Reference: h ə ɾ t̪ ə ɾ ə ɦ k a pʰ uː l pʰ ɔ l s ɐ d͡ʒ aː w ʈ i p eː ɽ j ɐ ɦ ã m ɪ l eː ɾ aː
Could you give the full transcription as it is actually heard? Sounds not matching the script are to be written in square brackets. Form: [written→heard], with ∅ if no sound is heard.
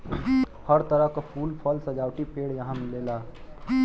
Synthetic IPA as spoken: h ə ɾ t̪ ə ɾ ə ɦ k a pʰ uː l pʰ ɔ l s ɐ d͡ʒ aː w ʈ i p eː ɽ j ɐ ɦ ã m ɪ l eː [ɾ→l] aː